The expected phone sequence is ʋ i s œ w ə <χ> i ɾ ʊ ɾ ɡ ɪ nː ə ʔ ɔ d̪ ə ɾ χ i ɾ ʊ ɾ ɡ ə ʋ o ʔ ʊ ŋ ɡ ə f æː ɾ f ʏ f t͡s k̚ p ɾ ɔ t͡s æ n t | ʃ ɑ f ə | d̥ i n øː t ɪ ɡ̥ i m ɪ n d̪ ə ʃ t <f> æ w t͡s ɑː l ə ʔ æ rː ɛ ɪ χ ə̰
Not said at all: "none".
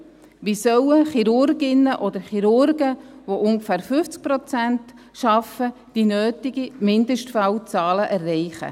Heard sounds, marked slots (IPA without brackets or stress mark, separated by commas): χ, f